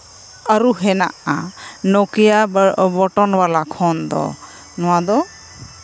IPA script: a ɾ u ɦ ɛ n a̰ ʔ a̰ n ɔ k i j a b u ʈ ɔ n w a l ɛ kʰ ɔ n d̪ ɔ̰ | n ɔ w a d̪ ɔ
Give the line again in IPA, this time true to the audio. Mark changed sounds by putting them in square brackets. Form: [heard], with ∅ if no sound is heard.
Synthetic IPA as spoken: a ɾ u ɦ ɛ n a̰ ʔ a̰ n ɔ k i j a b [ɔ] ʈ ɔ n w a l [a] kʰ ɔ n d̪ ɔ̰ | n ɔ w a d̪ ɔ